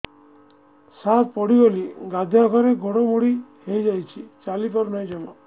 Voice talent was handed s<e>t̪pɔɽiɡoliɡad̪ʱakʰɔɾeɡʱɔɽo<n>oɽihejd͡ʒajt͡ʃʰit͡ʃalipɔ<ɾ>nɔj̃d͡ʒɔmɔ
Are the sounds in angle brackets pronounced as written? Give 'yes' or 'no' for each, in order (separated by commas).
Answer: no, no, yes